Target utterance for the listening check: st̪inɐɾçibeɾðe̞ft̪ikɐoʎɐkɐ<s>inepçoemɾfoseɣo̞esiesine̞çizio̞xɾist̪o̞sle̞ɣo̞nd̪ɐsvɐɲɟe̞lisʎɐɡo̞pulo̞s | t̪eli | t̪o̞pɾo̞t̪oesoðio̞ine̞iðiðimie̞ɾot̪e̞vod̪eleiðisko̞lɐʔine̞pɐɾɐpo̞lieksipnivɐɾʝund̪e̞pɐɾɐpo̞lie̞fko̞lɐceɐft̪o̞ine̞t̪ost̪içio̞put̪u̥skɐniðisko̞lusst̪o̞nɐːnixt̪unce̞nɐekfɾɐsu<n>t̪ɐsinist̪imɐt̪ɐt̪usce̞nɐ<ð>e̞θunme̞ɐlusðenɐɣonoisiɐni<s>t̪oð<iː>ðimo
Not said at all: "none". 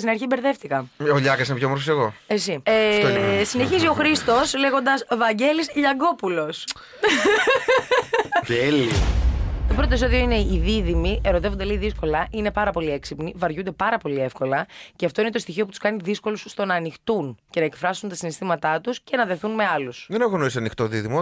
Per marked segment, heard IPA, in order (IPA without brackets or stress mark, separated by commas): s, n, ð, x, i